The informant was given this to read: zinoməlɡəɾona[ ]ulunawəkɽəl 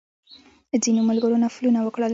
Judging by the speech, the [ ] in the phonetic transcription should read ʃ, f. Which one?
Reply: f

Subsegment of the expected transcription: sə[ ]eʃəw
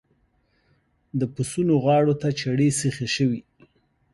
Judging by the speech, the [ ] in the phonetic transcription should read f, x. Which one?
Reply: x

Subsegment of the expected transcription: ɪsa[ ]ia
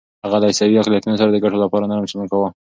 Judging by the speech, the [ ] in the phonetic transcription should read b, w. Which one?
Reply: w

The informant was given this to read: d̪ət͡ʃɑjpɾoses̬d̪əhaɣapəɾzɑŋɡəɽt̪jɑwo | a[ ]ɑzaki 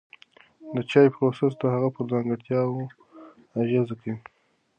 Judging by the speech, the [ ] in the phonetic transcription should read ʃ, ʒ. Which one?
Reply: ʒ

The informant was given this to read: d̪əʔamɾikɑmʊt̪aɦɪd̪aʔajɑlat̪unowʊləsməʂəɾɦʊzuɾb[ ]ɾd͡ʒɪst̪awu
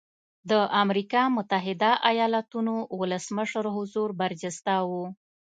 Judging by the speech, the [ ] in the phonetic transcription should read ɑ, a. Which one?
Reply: a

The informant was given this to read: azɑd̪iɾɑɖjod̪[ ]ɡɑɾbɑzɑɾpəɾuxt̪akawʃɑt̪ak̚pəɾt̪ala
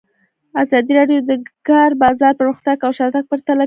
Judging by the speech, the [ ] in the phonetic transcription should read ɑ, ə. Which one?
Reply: ə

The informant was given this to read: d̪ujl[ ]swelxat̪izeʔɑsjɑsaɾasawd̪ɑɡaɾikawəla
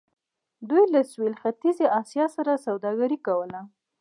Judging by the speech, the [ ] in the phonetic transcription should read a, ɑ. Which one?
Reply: a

